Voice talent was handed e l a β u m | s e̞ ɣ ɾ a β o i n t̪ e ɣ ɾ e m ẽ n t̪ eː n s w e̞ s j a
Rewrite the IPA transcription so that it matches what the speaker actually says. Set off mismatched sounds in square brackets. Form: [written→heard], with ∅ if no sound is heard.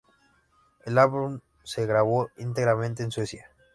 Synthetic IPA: e l a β u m | s e̞ ɣ ɾ a β o i n t̪ e ɣ ɾ [e→a] m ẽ n t̪ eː n s w e̞ s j a